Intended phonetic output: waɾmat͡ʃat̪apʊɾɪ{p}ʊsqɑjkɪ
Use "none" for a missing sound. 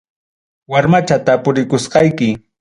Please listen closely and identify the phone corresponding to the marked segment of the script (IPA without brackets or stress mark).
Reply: k